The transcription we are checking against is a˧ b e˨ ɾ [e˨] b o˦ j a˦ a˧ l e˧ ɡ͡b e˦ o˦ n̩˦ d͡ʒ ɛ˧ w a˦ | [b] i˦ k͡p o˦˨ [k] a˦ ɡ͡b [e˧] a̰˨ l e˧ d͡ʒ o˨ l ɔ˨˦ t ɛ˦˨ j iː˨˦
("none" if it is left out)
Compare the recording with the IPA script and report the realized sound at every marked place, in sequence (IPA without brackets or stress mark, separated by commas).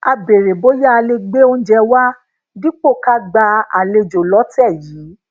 e˨, d, k, a˧